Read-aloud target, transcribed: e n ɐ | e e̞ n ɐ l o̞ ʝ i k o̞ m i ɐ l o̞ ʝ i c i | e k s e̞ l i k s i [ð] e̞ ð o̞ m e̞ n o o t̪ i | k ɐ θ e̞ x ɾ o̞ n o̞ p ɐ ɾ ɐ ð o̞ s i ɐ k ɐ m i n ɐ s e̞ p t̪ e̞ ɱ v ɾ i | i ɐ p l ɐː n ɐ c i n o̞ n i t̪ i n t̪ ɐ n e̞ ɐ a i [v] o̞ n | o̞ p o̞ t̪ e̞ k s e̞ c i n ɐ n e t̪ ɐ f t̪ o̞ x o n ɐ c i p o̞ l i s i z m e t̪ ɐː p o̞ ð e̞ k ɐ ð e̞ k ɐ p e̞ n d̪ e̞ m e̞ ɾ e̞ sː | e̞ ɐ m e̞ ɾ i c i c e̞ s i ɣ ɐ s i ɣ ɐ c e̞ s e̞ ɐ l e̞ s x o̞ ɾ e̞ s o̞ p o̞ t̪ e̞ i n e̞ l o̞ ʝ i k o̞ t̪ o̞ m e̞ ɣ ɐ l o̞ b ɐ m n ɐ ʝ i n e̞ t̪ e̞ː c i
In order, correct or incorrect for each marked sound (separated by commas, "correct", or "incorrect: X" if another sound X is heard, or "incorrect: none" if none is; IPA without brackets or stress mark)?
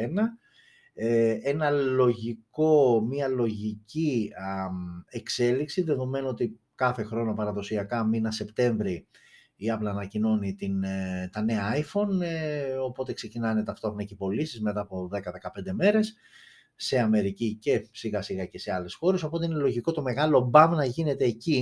correct, incorrect: f